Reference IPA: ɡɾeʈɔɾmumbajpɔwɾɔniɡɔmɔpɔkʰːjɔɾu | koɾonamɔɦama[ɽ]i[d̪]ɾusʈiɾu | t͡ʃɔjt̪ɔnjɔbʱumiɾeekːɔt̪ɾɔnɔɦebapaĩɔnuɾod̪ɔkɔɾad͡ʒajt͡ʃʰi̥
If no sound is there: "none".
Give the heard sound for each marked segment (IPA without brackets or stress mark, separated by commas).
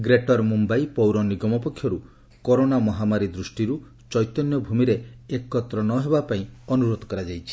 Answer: ɾ, d̪